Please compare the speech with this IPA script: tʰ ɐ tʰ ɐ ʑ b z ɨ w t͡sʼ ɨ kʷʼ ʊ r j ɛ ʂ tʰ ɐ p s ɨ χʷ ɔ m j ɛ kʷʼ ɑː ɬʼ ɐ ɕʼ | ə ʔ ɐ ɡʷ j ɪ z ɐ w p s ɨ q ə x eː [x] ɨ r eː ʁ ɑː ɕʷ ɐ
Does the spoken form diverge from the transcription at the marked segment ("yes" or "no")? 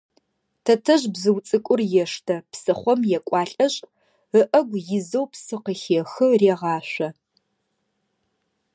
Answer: no